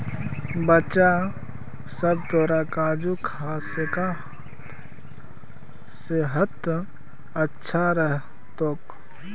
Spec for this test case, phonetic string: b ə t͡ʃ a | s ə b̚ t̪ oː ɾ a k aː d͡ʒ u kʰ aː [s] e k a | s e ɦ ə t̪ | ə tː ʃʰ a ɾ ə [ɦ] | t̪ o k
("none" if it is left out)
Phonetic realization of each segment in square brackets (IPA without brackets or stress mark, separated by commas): s, ɦ